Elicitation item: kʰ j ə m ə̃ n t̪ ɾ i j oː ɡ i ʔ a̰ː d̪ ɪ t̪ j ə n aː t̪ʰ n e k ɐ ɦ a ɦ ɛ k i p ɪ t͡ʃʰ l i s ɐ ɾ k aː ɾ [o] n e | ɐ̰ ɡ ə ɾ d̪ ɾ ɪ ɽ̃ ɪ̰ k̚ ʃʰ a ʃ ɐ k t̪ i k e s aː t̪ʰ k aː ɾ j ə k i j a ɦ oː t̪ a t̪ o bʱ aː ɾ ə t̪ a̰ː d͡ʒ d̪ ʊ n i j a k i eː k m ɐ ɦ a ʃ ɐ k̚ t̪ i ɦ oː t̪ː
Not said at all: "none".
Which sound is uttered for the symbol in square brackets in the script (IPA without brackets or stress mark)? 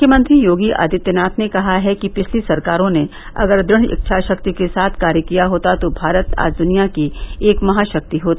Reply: õ